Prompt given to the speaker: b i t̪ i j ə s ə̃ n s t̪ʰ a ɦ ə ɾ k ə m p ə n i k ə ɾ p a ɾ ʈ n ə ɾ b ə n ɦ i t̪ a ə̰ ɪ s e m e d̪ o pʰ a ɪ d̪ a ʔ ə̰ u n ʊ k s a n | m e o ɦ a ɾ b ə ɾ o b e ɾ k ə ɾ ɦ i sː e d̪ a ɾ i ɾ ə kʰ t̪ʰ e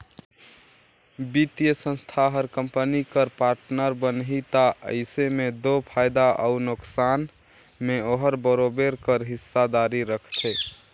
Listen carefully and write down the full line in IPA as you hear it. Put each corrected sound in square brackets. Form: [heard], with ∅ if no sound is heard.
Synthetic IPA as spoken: b i t̪ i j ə s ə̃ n s t̪ʰ a ɦ ə ɾ k ə m p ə n i k ə ɾ p a ɾ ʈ n ə ɾ b ə n ɦ i t̪ a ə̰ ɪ s e m e d̪ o pʰ a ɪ d̪ a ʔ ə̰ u n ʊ k s a n | m e o ɦ [ə] ɾ b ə ɾ o b e ɾ k ə ɾ ɦ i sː [a] d̪ a ɾ i ɾ ə kʰ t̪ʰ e